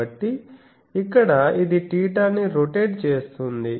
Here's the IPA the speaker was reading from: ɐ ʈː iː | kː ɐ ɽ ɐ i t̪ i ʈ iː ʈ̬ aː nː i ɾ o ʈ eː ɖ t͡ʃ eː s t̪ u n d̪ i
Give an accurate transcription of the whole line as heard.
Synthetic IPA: ɐ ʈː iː | kː ɐ ɽ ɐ i d̪ i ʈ iː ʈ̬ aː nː i ɾ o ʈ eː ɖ t͡ʃ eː s t̪ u n d̪ i